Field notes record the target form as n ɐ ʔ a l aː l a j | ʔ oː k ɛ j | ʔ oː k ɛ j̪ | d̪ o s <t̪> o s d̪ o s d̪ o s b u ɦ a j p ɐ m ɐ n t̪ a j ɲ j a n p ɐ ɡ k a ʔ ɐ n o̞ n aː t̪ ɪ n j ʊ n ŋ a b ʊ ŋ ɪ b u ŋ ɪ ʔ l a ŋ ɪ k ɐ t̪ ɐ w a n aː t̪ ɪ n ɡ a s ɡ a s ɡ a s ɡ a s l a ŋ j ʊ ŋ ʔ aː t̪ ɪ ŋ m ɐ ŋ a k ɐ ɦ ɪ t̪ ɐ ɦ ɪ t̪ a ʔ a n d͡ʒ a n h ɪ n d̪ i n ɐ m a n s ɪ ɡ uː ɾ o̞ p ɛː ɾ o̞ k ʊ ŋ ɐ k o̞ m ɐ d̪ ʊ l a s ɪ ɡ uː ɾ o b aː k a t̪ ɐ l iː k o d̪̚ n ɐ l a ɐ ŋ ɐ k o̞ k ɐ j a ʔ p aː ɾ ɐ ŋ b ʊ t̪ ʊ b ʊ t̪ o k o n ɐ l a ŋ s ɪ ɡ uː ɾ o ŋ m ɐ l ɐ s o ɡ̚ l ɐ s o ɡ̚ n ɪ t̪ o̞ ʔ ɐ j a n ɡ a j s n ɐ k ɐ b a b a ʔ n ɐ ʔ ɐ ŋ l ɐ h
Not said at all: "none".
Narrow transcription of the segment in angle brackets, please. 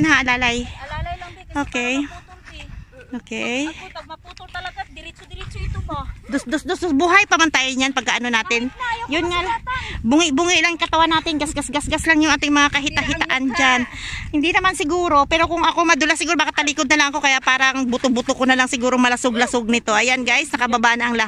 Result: d̪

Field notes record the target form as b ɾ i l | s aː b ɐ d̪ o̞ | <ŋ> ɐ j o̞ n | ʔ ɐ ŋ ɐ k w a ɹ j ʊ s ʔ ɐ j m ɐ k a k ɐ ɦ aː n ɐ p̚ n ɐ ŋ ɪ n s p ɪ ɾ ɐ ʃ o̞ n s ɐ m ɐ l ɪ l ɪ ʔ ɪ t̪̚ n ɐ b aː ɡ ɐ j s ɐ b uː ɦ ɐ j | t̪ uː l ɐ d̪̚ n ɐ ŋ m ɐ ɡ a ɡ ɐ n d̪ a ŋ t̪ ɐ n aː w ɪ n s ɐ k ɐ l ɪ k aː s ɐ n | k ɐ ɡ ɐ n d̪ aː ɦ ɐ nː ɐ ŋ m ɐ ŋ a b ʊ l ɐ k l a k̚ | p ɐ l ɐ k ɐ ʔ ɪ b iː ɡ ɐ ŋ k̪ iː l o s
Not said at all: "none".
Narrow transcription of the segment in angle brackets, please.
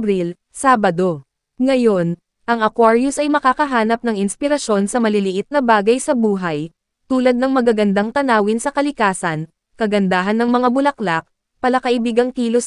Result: ŋ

